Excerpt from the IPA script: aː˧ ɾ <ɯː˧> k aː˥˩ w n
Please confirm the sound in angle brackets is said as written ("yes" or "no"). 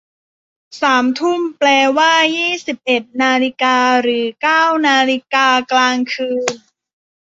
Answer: no